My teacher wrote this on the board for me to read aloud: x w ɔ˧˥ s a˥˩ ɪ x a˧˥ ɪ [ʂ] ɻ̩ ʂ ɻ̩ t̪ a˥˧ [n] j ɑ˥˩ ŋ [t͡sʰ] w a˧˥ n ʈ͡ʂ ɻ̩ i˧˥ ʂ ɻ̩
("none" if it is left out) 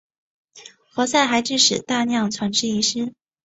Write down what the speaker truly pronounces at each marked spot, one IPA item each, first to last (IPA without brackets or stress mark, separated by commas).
ʈ͡ʂ, n, t͡sʰ